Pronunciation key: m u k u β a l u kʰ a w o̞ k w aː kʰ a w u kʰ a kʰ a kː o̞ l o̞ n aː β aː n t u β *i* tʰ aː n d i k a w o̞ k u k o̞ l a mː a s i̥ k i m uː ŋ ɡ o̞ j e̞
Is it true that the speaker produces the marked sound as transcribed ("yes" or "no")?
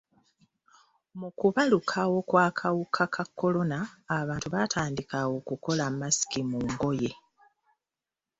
no